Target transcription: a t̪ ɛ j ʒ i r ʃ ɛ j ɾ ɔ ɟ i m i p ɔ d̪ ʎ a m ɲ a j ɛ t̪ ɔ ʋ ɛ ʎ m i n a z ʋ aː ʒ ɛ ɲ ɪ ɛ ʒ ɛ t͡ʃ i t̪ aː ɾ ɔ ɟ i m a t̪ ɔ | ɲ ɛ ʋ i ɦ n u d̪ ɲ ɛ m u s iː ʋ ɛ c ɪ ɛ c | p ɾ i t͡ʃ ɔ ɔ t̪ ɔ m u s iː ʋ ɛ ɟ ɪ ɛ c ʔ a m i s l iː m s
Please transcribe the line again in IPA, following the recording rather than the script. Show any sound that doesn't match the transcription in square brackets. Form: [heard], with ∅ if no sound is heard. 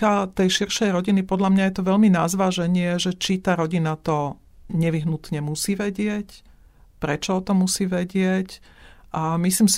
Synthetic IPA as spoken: a t̪ ɛ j [ʃ] i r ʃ ɛ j ɾ ɔ ɟ i [n] i p ɔ d̪ ʎ a m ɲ a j ɛ t̪ ɔ ʋ ɛ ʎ m i n a z ʋ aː ʒ ɛ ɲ ɪ ɛ ʒ ɛ t͡ʃ i t̪ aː ɾ ɔ ɟ i [n] a t̪ ɔ | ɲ ɛ ʋ i ɦ n u [t̪] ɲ ɛ m u s iː ʋ ɛ [ɟ] ɪ ɛ c | p ɾ [ɛ] t͡ʃ ɔ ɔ t̪ ɔ m u s iː ʋ ɛ ɟ ɪ ɛ c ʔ a m i s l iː m s